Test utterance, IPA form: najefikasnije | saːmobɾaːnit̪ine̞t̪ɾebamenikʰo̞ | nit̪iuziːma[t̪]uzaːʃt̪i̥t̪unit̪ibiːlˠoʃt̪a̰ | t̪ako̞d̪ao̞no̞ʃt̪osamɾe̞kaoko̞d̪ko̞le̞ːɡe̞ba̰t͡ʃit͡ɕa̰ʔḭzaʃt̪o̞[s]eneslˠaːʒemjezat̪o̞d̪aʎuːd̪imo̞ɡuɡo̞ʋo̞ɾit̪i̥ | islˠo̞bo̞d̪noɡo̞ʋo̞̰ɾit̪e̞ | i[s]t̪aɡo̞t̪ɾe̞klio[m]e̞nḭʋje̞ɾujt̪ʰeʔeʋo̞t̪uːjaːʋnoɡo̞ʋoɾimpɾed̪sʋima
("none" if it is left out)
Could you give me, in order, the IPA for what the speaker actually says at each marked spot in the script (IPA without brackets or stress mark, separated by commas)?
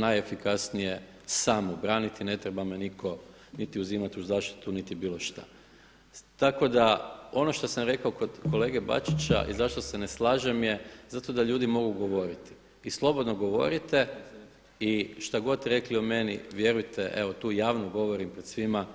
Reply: t̪, s, ʃ, m